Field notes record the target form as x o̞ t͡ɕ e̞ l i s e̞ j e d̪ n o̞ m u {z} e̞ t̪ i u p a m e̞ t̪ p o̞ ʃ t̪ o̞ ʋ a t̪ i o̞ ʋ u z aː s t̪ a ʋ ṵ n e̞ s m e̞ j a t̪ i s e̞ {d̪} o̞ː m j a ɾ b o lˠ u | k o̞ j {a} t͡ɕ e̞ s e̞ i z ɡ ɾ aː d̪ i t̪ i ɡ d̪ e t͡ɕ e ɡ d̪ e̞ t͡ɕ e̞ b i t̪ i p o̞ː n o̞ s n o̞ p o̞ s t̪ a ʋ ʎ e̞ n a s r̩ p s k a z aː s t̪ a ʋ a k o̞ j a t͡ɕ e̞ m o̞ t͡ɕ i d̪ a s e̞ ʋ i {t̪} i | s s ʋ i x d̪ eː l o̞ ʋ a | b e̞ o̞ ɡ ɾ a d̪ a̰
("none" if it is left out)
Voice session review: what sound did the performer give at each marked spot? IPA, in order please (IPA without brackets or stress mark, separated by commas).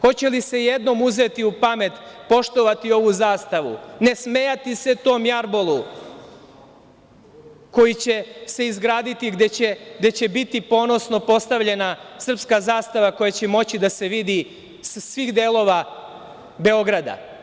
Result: z, t̪, i, d̪